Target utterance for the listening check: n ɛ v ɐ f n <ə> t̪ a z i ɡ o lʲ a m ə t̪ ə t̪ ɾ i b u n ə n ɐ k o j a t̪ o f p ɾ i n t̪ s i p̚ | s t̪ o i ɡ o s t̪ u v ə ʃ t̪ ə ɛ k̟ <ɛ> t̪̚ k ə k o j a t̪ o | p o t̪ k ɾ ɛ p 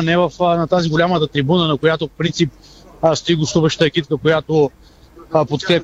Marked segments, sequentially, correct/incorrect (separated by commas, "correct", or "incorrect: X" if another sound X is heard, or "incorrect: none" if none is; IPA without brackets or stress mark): incorrect: ɐ, incorrect: i